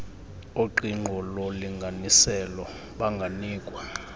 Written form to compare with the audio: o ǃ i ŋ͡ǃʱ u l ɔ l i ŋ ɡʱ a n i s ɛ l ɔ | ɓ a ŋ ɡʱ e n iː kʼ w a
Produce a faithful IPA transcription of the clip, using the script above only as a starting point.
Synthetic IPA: o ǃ i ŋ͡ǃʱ ɔ l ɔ l i ŋ ɡʱ a n i s ɛ l ɔ | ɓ a ŋ ɡʱ a n iː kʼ w a

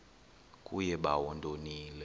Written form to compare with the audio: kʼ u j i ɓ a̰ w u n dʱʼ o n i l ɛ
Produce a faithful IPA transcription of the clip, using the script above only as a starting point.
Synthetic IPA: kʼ u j ɛ ɓ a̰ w ɔ n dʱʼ o n iː l ɛ

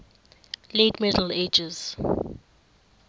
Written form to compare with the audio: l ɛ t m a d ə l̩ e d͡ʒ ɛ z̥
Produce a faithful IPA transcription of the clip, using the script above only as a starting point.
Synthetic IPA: l e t m ɛ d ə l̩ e d͡ʒ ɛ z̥

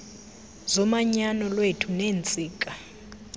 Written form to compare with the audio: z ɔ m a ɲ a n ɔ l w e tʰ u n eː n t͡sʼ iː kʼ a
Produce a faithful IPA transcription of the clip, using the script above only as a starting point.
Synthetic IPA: z ɔ m a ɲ a n ɔ l w e tʰ u n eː n t͡sʼ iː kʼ a

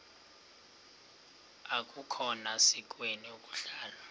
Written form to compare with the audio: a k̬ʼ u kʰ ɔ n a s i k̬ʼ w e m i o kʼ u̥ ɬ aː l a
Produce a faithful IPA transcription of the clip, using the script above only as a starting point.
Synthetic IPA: a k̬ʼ u kʰ ɔ n a s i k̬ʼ w e n i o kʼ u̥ ɬ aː l a

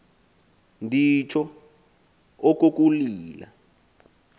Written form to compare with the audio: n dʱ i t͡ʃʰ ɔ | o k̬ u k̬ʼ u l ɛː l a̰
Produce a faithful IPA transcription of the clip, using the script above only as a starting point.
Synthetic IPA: n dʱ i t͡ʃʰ ɔ | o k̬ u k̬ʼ u l iː l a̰

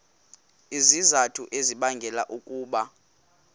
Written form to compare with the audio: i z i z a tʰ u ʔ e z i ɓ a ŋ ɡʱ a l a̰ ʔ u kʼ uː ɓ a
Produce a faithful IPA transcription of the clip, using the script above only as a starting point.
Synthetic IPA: i z i z a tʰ u ʔ e z i ɓ a ŋ ɡʱ ɛ l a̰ ʔ u kʼ uː ɓ a

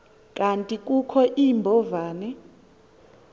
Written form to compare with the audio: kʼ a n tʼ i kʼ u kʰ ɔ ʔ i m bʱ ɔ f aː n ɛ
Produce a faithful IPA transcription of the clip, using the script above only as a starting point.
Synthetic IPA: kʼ a n tʼ i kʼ u kʰ ɔ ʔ i m bʱ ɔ v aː n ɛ

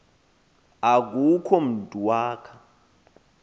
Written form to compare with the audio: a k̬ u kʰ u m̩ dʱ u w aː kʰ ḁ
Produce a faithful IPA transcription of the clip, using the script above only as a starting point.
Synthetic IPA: a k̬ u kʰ ɔ m̩ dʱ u w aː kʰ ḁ

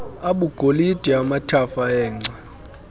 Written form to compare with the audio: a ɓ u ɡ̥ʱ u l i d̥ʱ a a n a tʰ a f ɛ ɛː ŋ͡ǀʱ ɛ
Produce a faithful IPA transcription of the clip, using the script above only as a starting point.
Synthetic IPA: a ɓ u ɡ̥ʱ o l i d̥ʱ i a m a tʰ a f a ɛː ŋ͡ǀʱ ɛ

